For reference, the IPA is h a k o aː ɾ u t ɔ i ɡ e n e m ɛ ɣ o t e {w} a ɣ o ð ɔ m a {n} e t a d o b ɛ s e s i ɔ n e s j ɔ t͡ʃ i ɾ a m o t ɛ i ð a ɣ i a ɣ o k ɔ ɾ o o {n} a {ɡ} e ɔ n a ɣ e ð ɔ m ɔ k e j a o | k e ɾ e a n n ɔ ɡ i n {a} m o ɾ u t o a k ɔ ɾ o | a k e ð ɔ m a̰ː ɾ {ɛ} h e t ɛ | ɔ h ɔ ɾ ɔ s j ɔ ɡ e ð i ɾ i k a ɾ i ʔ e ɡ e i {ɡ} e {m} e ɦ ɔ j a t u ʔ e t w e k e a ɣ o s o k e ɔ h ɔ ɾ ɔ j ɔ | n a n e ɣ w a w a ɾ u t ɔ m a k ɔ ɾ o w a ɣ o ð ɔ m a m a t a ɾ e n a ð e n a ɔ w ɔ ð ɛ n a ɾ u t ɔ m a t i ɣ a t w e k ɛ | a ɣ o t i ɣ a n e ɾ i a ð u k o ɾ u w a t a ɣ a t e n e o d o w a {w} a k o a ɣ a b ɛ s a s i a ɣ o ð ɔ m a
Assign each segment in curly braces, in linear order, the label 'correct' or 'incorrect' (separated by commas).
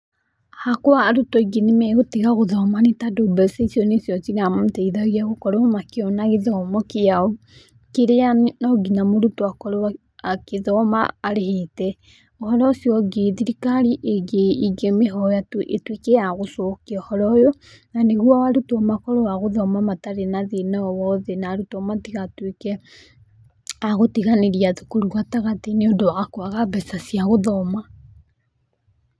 incorrect, correct, incorrect, incorrect, correct, incorrect, correct, correct, incorrect